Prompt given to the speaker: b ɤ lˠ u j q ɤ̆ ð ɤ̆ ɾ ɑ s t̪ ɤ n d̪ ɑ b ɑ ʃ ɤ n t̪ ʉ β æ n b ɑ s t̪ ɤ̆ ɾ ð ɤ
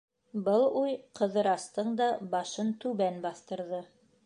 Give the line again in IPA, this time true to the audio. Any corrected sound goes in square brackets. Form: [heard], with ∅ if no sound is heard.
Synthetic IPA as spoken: b ɤ lˠ u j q ɤ̆ ð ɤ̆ ɾ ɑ s t̪ ɤ [ɴ] d̪ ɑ b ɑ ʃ ɤ n t̪ ʉ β æ n b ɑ [θ] t̪ ɤ̆ ɾ ð ɤ